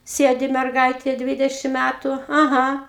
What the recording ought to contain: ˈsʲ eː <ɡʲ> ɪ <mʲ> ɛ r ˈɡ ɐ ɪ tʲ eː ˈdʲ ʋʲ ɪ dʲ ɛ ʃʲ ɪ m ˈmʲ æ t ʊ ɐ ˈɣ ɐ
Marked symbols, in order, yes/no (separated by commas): no, yes